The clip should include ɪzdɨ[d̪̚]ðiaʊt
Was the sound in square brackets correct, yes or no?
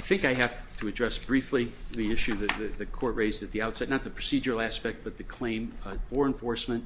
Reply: no